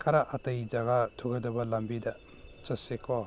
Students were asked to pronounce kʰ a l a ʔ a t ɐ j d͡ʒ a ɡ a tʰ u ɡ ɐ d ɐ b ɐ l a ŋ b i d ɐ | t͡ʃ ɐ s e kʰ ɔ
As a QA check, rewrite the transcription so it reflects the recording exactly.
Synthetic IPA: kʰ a ɾ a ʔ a t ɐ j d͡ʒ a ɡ a tʰ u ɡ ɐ d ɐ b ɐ l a m b i d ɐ | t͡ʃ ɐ s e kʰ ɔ